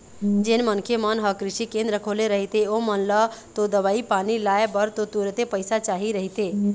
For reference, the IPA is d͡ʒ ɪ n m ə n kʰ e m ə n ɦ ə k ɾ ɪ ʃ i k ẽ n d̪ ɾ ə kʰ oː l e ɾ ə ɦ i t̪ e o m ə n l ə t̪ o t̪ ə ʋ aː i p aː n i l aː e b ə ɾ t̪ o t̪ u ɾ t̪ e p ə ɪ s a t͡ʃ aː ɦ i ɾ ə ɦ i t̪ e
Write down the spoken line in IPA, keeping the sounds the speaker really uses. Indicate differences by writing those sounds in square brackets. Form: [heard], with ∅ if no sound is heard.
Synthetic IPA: d͡ʒ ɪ n m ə n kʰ e m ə n ɦ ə k ɾ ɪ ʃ i k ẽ n d̪ ɾ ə kʰ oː l e ɾ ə ɦ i t̪ e o m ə n l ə t̪ o [d̪] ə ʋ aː i p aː n i l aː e b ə ɾ t̪ o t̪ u ɾ t̪ e p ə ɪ s a t͡ʃ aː ɦ i ɾ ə ɦ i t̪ e

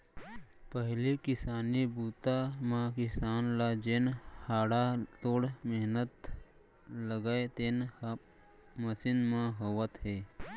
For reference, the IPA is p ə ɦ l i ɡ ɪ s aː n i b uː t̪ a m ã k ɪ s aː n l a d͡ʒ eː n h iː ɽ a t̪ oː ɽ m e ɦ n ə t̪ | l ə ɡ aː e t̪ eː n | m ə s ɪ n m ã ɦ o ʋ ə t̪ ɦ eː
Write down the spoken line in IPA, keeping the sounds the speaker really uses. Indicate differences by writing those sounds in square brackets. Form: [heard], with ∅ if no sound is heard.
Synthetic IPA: p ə ɦ l i [k] ɪ s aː n i b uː t̪ a m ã k ɪ s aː n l a d͡ʒ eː n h [aː] ɽ a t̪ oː ɽ m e ɦ n ə t̪ | l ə ɡ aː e t̪ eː n | m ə s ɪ n m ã ɦ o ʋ ə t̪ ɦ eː

